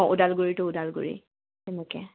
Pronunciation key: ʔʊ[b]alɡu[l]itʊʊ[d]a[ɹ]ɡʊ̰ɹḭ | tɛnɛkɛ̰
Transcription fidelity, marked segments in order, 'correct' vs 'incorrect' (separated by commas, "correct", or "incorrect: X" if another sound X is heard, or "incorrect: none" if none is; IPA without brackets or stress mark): incorrect: d, incorrect: ɹ, correct, incorrect: l